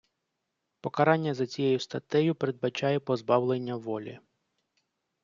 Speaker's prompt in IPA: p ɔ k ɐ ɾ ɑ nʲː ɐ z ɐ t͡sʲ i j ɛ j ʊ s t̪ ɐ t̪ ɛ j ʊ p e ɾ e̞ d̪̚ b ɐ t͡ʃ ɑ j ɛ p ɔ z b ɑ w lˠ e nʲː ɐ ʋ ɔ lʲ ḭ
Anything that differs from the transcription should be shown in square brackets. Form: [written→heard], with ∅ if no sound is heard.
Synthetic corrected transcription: p ɔ k ɐ ɾ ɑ nʲː ɐ z ɐ t͡sʲ i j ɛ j ʊ s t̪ ɐ t̪ ɛ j ʊ p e ɾ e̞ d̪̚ b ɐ t͡ʃ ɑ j ɛ p ɔ z b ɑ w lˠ e nʲː ɐ ʋ ɔ lʲ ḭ